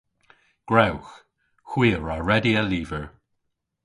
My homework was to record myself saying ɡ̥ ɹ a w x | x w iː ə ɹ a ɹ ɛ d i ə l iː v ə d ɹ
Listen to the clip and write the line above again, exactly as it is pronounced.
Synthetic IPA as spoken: ɡ̥ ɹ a w x | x w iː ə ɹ a ɹ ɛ d i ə l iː v ə ɹ